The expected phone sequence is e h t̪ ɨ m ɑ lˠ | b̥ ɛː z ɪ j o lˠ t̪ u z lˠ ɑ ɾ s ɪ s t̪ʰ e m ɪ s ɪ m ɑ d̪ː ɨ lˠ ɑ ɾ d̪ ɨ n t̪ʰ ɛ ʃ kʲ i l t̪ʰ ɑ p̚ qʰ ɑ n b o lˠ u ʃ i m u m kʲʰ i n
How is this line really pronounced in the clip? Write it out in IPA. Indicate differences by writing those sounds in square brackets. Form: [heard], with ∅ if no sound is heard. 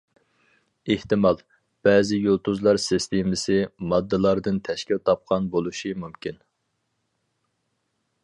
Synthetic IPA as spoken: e h t̪ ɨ m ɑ lˠ | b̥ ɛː z ɪ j o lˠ t̪ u z lˠ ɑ ɾ s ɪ s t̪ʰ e m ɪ s ɪ m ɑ d̪ː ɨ lˠ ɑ ɾ d̪ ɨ n t̪ʰ ɛ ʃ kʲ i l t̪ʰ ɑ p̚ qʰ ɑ n b o lˠ u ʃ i m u m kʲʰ i n